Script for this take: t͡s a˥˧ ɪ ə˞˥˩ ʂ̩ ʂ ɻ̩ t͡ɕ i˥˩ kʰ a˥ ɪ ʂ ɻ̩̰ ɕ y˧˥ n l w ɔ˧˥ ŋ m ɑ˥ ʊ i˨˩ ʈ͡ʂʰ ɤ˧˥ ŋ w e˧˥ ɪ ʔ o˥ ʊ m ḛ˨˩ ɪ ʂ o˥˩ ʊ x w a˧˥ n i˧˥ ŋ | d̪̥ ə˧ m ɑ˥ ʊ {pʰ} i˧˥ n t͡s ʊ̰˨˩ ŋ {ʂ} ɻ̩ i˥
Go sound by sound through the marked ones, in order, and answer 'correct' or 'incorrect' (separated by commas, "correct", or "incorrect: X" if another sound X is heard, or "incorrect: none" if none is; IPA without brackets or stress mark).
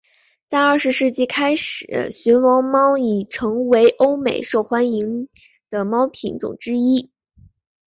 correct, incorrect: ʈ͡ʂ